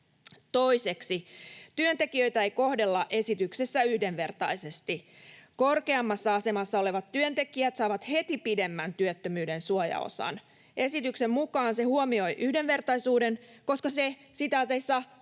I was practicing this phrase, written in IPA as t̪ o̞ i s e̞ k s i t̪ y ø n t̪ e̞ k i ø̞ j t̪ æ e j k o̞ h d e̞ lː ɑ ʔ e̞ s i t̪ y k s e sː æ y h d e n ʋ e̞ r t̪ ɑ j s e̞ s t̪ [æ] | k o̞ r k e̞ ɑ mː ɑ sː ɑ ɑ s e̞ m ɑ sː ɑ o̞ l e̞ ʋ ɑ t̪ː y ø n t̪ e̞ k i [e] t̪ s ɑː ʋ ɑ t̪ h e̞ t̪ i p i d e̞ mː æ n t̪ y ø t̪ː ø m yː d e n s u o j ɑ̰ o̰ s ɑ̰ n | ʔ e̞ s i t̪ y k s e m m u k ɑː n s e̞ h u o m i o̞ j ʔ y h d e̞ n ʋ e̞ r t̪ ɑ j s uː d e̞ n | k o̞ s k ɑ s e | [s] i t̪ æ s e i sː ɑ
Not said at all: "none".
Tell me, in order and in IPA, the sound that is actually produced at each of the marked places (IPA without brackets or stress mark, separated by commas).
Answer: i, æ, s